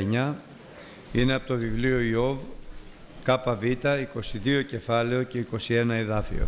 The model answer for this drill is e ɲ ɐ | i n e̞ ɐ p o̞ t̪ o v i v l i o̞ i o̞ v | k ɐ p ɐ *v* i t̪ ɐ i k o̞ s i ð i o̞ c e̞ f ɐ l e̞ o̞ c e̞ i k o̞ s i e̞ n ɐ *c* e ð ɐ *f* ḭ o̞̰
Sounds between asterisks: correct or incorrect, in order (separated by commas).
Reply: correct, incorrect, correct